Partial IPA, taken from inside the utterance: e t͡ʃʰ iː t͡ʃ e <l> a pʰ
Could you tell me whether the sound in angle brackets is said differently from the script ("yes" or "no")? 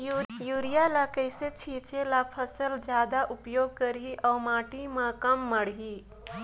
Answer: no